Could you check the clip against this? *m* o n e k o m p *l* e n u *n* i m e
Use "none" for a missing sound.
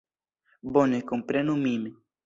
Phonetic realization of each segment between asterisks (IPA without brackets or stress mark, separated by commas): b, ɾ, m